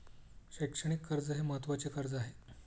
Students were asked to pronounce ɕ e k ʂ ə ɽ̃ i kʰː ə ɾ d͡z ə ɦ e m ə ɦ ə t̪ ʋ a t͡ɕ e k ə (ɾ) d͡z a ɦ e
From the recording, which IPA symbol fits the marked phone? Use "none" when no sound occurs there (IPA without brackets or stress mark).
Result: ɾ